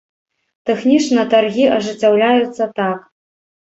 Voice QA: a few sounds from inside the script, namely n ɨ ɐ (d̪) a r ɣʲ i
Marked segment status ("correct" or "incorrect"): incorrect